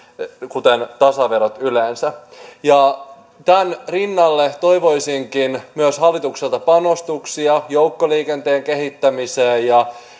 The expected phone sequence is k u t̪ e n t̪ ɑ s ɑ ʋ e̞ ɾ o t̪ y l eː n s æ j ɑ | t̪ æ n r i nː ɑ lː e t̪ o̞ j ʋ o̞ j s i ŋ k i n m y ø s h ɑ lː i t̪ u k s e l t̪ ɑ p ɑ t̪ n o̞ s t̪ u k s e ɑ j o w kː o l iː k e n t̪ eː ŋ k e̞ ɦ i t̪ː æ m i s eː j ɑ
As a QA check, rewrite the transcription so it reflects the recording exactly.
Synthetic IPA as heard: k u t̪ e n t̪ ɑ s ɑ ʋ e̞ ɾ o t̪ y l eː n s æ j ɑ | t̪ æ n r i nː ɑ lː e t̪ o̞ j ʋ o̞ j s i ŋ k i n m y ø s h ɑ lː i t̪ u k s e l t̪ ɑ p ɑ n o̞ s t̪ u k s i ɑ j o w kː o l iː k e n t̪ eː ŋ k e̞ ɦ i t̪ː æ m i s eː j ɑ

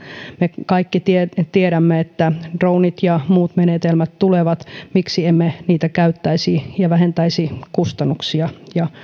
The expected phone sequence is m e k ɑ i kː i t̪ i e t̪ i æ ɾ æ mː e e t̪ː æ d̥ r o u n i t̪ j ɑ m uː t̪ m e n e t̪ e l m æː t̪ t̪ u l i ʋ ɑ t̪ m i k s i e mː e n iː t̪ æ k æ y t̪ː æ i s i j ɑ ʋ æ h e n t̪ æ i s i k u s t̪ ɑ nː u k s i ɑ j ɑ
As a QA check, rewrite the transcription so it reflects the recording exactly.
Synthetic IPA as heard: m e k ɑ i kː i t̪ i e t̪ i e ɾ æ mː e e t̪ː æ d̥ r o u n i t̪ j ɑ m uː t̪ m e n e t̪ e l m æ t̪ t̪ u l e ʋ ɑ t̪ m i k s i e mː e n iː t̪ æ k æ y t̪ː æ i s i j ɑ ʋ æ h e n t̪ æ i s i k u s t̪ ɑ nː u k s i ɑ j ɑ

